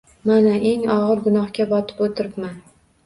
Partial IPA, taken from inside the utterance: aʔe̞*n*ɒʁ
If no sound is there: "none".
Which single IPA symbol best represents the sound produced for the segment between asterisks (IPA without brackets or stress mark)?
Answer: ŋ